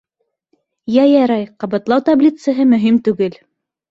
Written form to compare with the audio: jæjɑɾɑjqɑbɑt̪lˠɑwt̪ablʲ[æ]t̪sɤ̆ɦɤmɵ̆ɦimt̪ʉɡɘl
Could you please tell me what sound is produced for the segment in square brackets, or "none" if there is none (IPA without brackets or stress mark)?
i